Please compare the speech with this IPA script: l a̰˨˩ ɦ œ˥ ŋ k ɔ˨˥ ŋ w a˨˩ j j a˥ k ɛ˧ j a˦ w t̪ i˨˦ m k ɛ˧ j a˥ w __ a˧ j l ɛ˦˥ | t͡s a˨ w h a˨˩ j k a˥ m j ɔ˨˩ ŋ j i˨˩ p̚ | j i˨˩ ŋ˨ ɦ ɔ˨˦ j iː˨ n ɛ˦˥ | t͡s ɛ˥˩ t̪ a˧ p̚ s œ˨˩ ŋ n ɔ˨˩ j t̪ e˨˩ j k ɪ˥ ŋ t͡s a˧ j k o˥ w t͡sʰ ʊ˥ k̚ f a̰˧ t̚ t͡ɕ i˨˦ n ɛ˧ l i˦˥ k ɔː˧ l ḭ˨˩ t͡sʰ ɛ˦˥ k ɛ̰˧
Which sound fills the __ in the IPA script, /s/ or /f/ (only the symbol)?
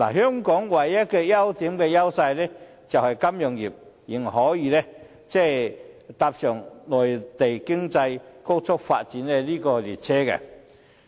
s